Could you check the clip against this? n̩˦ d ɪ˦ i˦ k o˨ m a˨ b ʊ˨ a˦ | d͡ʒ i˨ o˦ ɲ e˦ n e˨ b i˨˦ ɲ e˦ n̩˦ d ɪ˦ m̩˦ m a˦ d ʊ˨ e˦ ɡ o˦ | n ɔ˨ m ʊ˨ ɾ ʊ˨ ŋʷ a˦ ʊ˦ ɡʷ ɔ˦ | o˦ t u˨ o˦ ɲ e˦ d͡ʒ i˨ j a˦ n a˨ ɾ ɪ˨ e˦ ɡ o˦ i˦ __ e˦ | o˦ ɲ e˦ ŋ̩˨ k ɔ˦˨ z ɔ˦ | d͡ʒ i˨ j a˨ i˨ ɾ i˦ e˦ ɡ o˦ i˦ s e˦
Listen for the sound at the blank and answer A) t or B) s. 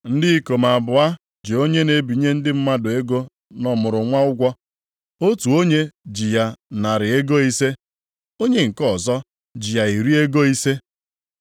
B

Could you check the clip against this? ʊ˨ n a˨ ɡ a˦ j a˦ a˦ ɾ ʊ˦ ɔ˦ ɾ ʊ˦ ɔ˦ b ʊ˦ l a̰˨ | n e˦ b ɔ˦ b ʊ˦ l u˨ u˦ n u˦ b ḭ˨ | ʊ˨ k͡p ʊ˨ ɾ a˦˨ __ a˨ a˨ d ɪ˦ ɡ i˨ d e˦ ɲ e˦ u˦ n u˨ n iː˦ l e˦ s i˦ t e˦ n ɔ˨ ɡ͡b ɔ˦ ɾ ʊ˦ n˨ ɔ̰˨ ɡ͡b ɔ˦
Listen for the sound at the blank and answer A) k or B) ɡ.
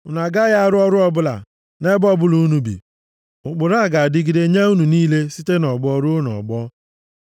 B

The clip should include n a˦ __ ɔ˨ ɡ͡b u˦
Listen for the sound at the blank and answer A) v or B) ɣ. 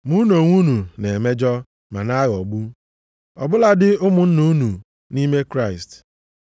B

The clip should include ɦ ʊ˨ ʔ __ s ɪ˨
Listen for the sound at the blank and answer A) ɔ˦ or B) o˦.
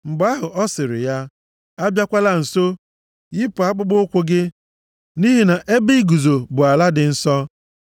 A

